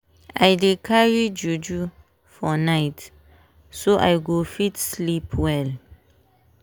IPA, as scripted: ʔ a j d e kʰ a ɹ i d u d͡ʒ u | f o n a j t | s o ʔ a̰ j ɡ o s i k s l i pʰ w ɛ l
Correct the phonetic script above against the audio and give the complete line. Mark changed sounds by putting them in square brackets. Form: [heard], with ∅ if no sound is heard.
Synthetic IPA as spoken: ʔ a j d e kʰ a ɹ i [d͡ʒ] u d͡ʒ u | f [ɔ] n a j t | s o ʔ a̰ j ɡ o [f] i [t] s l i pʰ w ɛ l